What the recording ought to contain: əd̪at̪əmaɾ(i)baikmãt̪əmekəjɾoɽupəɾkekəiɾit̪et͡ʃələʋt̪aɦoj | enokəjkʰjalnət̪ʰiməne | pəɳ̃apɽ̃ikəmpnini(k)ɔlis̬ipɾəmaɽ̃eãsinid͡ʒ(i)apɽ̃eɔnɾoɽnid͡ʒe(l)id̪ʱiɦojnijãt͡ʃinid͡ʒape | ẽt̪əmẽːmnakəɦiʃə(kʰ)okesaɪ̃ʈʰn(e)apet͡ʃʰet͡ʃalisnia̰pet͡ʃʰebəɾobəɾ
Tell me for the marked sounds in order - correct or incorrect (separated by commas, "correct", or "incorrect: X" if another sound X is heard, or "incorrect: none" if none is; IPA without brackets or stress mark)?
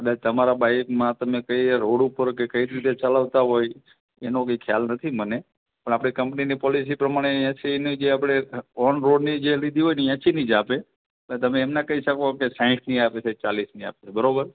incorrect: a, incorrect: p, incorrect: e, correct, incorrect: k, incorrect: i